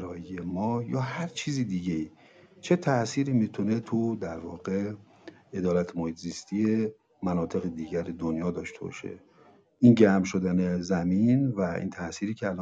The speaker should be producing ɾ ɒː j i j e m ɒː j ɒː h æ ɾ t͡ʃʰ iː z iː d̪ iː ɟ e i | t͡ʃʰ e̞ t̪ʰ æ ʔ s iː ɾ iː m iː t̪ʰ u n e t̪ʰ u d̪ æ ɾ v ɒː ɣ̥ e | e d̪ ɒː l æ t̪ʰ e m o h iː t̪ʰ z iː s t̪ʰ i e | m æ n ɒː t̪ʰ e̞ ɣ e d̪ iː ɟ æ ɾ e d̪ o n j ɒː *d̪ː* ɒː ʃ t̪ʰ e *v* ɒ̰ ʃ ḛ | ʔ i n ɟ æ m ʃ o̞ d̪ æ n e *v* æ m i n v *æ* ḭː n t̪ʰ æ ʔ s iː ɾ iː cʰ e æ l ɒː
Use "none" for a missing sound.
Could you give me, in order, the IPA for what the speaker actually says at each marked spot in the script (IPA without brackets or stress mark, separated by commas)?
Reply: d̪, b, z, æ